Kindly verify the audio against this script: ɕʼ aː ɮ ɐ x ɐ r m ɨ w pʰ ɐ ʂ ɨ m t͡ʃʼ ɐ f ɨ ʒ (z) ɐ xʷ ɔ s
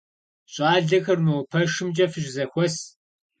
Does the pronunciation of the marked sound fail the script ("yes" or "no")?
no